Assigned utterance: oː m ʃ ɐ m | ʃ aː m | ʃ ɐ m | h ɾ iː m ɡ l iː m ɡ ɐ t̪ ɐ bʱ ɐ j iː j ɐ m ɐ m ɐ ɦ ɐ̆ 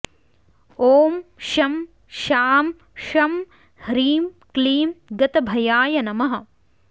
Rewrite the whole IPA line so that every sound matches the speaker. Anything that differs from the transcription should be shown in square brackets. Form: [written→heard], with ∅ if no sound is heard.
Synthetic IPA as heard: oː m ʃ ɐ m | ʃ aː m | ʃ ɐ m | h ɾ iː m [ɡ→k] l iː m ɡ ɐ t̪ ɐ bʱ ɐ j [iː→aː] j ɐ [m→n] ɐ m ɐ ɦ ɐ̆